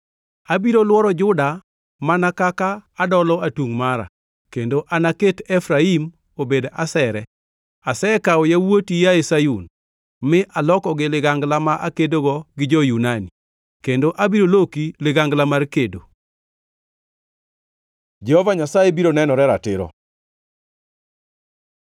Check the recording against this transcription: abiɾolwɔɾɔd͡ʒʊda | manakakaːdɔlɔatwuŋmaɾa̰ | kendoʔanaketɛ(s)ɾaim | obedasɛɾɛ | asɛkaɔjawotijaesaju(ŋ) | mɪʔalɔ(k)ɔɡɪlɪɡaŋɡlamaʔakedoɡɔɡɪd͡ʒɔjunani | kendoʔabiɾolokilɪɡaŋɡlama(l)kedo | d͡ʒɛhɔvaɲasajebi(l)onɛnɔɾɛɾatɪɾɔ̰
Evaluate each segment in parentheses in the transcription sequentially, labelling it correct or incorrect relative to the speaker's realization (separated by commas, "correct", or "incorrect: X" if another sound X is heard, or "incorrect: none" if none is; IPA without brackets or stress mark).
incorrect: f, incorrect: n, correct, incorrect: r, incorrect: ɾ